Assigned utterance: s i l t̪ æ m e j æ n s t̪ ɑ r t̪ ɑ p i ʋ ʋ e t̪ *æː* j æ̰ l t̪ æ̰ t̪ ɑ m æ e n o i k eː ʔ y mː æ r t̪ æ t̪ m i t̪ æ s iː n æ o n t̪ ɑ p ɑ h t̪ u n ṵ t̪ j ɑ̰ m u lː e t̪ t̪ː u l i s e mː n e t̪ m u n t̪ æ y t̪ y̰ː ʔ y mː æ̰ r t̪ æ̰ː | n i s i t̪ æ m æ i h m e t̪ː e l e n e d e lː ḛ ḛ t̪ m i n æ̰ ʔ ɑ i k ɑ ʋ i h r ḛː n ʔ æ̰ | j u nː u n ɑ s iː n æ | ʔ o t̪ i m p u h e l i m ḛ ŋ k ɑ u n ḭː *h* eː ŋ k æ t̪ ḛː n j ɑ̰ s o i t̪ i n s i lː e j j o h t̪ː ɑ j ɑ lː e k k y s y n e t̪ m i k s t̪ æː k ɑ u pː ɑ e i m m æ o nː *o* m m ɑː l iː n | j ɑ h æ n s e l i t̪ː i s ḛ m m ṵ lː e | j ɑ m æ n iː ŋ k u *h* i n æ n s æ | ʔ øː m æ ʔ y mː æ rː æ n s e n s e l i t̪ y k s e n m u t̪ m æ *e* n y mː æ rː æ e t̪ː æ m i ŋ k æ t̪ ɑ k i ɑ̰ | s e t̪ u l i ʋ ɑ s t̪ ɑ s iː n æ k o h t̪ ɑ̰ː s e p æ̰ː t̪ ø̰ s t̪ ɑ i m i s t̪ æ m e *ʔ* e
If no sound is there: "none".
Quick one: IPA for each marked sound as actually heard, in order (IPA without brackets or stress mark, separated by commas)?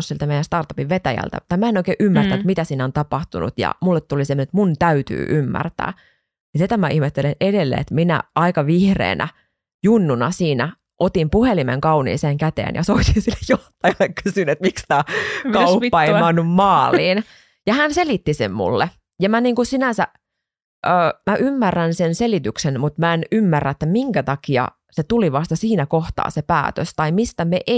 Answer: æ, s, u, s, e, ʔ